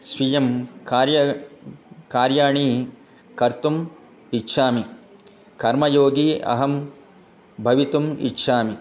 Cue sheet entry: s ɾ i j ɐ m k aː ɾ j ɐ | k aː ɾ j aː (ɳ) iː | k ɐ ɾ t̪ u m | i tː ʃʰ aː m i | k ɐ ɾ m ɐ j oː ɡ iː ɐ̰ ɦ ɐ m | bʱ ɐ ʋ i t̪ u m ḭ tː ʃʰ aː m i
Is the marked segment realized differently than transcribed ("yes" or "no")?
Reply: no